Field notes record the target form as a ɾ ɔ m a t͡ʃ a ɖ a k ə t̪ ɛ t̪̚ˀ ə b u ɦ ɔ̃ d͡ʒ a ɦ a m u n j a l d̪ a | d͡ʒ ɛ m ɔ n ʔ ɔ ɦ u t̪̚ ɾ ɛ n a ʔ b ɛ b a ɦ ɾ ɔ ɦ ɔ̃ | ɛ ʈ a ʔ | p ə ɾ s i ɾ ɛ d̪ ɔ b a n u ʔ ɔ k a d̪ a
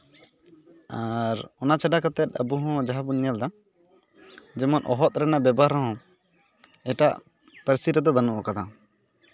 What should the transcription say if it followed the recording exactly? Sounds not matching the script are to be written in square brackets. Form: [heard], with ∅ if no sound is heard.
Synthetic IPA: a ɾ ɔ [n] a t͡ʃ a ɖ a k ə t̪ ɛ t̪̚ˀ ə b u ɦ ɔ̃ d͡ʒ a ɦ a [b] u n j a l d̪ a | d͡ʒ ɛ m ɔ n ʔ ɔ ɦ [ɔ] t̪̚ ɾ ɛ n a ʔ b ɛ b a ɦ ɾ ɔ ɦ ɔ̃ | ɛ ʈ a ʔ | p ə ɾ s i ɾ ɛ d̪ ɔ b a n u ʔ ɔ k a d̪ a

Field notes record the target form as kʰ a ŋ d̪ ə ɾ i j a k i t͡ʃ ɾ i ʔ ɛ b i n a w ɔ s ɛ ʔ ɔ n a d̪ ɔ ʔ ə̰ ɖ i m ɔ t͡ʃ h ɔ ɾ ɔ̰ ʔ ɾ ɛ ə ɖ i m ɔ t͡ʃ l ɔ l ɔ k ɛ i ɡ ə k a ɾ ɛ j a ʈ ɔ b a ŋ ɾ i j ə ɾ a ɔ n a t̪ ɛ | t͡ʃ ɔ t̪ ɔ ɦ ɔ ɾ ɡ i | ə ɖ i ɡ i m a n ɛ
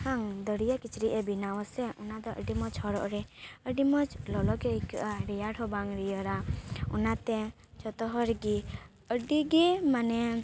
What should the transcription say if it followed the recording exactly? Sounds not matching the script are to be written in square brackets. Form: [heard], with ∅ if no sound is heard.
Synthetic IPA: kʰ a ŋ d̪ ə ɾ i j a k i t͡ʃ ɾ i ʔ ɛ b i n a w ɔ s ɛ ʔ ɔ n a d̪ ɔ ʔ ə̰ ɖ i m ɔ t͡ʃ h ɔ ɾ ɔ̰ ʔ ɾ ɛ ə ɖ i m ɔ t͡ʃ l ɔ l ɔ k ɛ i [k] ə [ʔ] a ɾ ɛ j a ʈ ɔ b a ŋ ɾ i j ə ɾ a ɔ n a t̪ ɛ | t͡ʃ ɔ t̪ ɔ ɦ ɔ ɾ ɡ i | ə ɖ i ɡ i m a n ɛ

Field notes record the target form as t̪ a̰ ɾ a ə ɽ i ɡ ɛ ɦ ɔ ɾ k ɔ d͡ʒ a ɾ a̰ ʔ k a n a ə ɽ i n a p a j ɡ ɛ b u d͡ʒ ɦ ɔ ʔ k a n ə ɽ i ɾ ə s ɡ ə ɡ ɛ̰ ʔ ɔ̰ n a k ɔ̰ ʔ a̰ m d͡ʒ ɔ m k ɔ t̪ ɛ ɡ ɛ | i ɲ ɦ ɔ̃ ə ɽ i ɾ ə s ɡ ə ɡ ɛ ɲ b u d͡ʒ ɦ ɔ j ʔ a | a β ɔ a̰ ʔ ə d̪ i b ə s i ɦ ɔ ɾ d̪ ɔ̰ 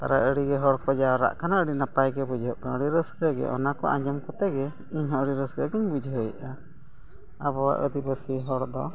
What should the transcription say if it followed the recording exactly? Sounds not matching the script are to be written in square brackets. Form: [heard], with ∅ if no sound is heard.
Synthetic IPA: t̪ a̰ ɾ a ə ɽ i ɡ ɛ ɦ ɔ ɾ k ɔ d͡ʒ a ɾ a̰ ʔ k a n a ə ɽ i n a p a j ɡ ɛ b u d͡ʒ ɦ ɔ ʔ k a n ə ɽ i ɾ ə s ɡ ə ɡ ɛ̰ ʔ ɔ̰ n a k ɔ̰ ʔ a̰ [ɲ] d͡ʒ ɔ m k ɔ t̪ ɛ ɡ ɛ | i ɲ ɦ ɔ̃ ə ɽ i ɾ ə s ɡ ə ɡ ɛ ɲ b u d͡ʒ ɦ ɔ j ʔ a | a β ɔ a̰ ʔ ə d̪ i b ə s i ɦ ɔ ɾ d̪ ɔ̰

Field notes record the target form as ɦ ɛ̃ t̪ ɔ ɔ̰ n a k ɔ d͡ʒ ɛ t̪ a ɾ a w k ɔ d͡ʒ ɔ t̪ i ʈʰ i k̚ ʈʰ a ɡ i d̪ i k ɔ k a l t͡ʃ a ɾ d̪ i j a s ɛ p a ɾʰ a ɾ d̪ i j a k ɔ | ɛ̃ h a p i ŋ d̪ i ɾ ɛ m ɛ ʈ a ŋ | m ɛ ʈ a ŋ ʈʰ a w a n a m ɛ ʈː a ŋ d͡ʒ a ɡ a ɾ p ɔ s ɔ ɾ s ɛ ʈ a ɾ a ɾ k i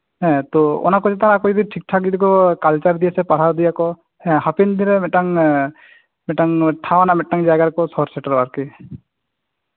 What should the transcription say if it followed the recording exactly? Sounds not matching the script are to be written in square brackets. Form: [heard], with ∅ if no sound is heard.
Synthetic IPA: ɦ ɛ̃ t̪ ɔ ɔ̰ n a k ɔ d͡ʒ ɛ t̪ a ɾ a [∅] k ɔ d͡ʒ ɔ [d̪] i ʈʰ i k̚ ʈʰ a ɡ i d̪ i k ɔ k a l t͡ʃ a ɾ d̪ i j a s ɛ p a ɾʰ a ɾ d̪ i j a k ɔ | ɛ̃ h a p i [n] d̪ i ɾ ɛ m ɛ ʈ a ŋ | m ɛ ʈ a ŋ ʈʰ a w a n a m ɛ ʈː a ŋ d͡ʒ a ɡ a ɾ [k] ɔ s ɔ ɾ s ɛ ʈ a ɾ a ɾ k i

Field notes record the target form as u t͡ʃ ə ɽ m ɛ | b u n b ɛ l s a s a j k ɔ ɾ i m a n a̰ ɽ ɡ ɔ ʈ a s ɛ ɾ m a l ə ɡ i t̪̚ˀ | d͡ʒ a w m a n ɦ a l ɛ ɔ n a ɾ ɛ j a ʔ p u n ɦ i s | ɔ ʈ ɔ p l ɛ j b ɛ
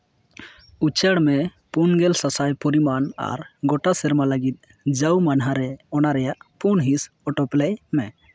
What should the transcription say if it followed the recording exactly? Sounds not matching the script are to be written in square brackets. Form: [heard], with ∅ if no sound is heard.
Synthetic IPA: u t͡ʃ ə ɽ m ɛ | [p] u n [ɡ] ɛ l s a s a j [p] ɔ ɾ i m a n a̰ [ɾ] ɡ ɔ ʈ a s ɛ ɾ m a l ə ɡ i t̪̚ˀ | d͡ʒ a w m a n ɦ a [ɾ] ɛ ɔ n a ɾ ɛ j a ʔ p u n ɦ i s | ɔ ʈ ɔ p l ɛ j [m] ɛ

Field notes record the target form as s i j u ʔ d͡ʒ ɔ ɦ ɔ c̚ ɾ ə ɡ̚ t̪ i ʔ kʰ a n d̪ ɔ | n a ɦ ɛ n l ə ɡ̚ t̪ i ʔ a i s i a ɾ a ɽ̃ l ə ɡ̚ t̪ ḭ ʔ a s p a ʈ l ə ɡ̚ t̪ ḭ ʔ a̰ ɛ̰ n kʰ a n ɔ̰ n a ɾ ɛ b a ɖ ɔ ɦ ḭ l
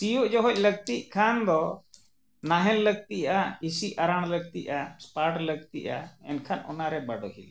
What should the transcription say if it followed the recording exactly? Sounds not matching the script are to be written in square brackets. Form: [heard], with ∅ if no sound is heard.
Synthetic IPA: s i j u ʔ d͡ʒ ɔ ɦ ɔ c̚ [l] ə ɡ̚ t̪ i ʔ kʰ a n d̪ ɔ | n a ɦ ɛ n l ə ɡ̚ t̪ i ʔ a i s i a ɾ a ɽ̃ l ə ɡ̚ t̪ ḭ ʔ a s p a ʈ l ə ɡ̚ t̪ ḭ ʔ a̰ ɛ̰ n kʰ a n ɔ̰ n a ɾ ɛ b a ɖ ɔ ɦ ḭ l

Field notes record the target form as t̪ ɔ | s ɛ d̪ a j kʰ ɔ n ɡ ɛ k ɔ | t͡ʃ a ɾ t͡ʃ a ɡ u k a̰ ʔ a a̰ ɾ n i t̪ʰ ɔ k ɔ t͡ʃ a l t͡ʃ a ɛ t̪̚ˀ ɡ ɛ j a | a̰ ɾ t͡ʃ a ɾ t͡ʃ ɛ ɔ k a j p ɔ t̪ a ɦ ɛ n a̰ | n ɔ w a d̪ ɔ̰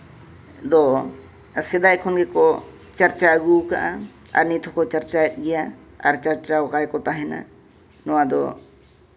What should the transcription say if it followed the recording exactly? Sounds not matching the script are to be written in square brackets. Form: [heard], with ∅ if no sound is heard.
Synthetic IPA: [d̪] ɔ | s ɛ d̪ a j kʰ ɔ n ɡ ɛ k ɔ | t͡ʃ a ɾ t͡ʃ a ɡ u k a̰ ʔ a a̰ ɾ n i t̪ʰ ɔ k ɔ t͡ʃ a [ɾ] t͡ʃ a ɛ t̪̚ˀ ɡ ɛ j a | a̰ ɾ t͡ʃ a ɾ t͡ʃ [a] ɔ k a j [k] ɔ t̪ a ɦ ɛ n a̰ | n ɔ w a d̪ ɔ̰

